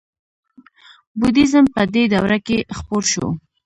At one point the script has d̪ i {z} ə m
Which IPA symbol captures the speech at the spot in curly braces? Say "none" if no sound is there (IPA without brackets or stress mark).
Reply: z